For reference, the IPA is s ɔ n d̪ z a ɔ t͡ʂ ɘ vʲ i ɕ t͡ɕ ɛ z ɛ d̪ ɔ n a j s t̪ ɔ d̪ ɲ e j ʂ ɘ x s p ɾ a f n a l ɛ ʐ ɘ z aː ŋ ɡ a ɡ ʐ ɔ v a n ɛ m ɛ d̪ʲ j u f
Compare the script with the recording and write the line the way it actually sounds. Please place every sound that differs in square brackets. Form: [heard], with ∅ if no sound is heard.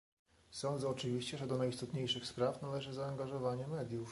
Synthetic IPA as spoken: s ɔ n d̪ z [ɛ] ɔ t͡ʂ ɘ vʲ i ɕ t͡ɕ ɛ [ʐ] ɛ d̪ ɔ n a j s t̪ ɔ [t̪] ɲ e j ʂ ɘ x s p ɾ a f n a l ɛ ʐ ɘ z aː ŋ ɡ a [∅] ʐ ɔ v a [ɲ] ɛ m ɛ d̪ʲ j u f

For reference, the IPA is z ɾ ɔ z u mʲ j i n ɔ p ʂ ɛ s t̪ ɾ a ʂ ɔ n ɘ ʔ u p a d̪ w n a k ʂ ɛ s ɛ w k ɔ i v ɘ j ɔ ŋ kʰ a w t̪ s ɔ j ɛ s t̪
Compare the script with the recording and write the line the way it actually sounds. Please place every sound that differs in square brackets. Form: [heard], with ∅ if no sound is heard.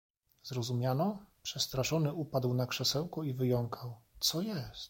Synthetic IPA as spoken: z ɾ ɔ z u mʲ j [a] n ɔ p ʂ ɛ s t̪ ɾ a ʂ ɔ n ɘ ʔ u p a d̪ w n a k ʂ ɛ s ɛ w k ɔ i v ɘ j ɔ ŋ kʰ a w t̪ s ɔ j ɛ s t̪

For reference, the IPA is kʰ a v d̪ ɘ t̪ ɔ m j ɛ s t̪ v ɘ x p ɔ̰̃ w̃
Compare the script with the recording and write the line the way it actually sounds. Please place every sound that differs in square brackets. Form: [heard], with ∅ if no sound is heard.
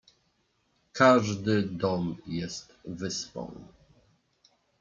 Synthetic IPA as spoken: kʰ a [ʐ] d̪ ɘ [d̪] ɔ m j ɛ s t̪ v ɘ [s] p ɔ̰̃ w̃

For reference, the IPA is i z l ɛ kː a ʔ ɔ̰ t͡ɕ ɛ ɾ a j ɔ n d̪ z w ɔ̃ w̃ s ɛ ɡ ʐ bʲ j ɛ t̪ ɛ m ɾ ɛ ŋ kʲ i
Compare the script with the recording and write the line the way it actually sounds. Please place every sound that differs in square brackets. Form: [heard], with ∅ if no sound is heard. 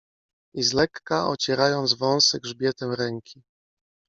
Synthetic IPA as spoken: i z l ɛ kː a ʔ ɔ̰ t͡ɕ ɛ ɾ a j ɔ n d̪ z [v] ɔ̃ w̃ s ɛ ɡ ʐ bʲ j ɛ t̪ ɛ m ɾ ɛ ŋ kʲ i

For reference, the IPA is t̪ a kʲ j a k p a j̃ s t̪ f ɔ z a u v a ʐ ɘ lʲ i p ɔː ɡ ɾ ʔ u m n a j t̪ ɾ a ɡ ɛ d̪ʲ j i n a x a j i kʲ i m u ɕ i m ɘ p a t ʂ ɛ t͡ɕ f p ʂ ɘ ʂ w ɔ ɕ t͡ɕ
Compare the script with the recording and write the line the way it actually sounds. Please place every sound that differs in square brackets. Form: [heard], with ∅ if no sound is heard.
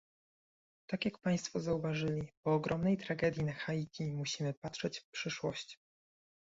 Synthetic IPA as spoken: t̪ a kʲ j a k p a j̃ s t̪ f ɔ z a u v a ʐ ɘ lʲ i p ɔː ɡ ɾ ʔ [ɔ] m n [ɛ] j t̪ ɾ a ɡ ɛ d̪ʲ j i n a x a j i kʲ i m u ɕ i m ɘ p a t ʂ ɛ t͡ɕ f p ʂ ɘ ʂ w ɔ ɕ t͡ɕ

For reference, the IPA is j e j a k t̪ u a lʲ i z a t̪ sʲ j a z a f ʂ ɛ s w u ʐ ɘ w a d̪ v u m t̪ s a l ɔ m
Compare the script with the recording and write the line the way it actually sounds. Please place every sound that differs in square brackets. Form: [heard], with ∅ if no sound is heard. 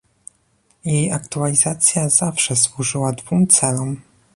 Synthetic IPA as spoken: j e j a k t̪ u a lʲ i z a t̪ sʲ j a z a f ʂ ɛ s w u ʐ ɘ w a d̪ v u m t̪ s [ɛ] l ɔ m

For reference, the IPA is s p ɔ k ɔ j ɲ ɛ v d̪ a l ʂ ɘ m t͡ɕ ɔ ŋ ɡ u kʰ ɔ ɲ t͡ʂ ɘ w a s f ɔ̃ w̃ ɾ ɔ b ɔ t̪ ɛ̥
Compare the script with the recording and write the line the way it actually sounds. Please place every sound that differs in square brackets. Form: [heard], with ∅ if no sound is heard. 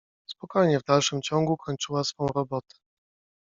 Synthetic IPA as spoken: s p ɔ k ɔ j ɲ ɛ v d̪ a l ʂ ɘ m t͡ɕ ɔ ŋ ɡ u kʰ ɔ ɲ t͡ʂ ɘ w a s f ɔ̃ w̃ ɾ ɔ b ɔ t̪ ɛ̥

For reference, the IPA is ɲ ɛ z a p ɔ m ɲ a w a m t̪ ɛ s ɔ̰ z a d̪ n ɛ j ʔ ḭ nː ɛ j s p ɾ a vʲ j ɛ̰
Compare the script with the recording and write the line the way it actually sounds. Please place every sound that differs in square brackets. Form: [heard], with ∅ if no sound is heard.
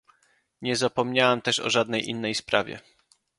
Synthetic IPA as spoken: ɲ ɛ z a p ɔ m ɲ a w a m t̪ ɛ [ʂ] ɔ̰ [ʐ] a d̪ n ɛ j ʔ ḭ nː ɛ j s p ɾ a vʲ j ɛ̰

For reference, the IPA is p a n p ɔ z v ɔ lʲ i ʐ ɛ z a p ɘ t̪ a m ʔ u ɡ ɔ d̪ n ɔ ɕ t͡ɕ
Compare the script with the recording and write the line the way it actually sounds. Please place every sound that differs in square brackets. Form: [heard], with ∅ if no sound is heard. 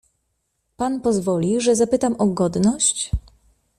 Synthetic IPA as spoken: p a n p ɔ z v ɔ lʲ i ʐ ɛ z a p ɘ t̪ a m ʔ [ɔ] ɡ ɔ d̪ n ɔ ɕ t͡ɕ

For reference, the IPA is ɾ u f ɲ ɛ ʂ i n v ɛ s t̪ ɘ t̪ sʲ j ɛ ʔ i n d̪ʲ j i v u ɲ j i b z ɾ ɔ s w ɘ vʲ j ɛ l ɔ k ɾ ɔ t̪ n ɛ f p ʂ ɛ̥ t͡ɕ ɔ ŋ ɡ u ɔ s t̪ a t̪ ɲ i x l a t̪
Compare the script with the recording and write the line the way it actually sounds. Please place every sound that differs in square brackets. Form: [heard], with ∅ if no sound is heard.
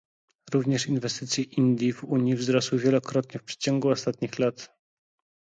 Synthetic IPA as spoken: ɾ u [v] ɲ ɛ ʂ i n v ɛ s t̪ ɘ t̪ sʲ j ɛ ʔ i n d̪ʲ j i v u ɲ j i [v] z ɾ ɔ s w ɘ vʲ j ɛ l ɔ k ɾ ɔ t̪ [ɲ] ɛ f p ʂ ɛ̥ t͡ɕ ɔ ŋ ɡ u ɔ s t̪ a t̪ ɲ i x l a t̪

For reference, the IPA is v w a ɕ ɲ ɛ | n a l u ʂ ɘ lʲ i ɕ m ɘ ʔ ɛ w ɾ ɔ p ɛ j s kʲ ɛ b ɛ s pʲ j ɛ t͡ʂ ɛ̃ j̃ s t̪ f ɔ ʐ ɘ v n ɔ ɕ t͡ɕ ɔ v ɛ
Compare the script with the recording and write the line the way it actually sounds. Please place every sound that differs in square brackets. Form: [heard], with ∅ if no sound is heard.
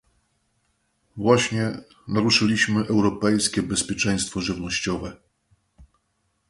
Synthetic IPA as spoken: v w a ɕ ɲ ɛ | n a [ɾ] u ʂ ɘ lʲ i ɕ m ɘ ʔ ɛ w ɾ ɔ p ɛ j s kʲ ɛ b ɛ s pʲ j ɛ t͡ʂ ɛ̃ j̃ s t̪ f ɔ ʐ ɘ v n ɔ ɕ t͡ɕ ɔ v ɛ

